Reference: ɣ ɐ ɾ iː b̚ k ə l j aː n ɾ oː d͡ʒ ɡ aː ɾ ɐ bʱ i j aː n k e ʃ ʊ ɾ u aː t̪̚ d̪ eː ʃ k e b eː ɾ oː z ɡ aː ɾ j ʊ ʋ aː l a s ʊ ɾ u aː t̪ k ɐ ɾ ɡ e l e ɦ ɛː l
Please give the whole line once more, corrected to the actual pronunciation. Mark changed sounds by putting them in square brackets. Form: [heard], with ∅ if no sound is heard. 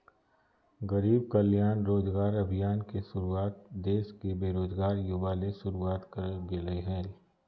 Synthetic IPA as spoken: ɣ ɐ ɾ iː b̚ k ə l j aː n ɾ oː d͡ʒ ɡ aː ɾ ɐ bʱ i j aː n k e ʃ ʊ ɾ u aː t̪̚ d̪ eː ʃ k e b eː ɾ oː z ɡ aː ɾ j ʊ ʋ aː l [e] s ʊ ɾ u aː t̪ k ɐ ɾ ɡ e l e ɦ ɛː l

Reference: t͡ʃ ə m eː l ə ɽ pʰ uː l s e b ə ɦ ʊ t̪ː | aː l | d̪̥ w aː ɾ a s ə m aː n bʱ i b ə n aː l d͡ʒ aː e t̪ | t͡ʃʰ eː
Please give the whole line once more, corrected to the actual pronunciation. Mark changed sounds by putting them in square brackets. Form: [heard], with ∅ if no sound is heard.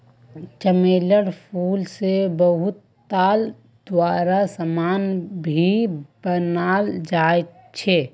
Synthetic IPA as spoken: t͡ʃ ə m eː l ə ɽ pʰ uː l s e b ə ɦ ʊ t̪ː | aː l | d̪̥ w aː ɾ a s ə m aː n bʱ i b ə n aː l d͡ʒ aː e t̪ | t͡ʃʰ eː

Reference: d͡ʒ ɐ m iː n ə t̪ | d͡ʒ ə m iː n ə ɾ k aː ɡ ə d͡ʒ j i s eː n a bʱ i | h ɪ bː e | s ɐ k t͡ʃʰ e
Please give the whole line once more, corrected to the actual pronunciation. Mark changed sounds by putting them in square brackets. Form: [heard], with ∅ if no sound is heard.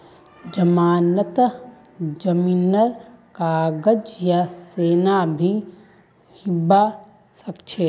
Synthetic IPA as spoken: d͡ʒ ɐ m [aː] n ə t̪ | d͡ʒ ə m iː n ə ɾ k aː ɡ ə d͡ʒ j [a] s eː n a bʱ i | h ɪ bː [a] | s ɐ k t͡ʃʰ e

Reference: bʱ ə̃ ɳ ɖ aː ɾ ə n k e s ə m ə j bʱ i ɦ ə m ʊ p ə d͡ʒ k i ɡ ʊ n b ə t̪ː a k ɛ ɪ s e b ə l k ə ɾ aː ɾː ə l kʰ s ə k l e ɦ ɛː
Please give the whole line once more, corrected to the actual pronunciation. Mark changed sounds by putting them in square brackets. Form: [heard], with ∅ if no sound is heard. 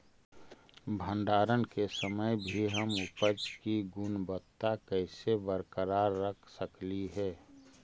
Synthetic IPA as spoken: bʱ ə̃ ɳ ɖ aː ɾ ə n k e s ə m ə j bʱ i ɦ ə m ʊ p ə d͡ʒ k i ɡ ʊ n b ə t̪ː a k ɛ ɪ s e b ə [ɾ] k ə ɾ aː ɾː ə [∅] kʰ s ə k l [i] ɦ ɛː

